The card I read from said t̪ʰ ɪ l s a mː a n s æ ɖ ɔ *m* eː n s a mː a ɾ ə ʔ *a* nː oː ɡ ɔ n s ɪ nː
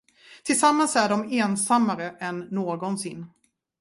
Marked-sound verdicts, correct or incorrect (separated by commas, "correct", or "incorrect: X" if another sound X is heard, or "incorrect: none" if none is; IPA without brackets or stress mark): correct, incorrect: ɛ